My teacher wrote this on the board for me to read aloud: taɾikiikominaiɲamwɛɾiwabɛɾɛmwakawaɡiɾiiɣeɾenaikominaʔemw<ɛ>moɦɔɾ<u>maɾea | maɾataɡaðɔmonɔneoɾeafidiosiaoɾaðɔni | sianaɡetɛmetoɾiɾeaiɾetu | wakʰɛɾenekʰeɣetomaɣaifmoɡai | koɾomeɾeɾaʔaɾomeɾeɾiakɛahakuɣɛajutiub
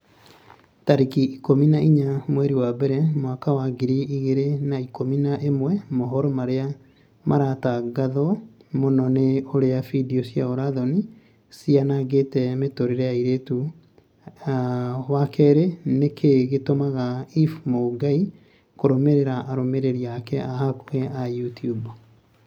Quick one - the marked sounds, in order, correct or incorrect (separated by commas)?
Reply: correct, incorrect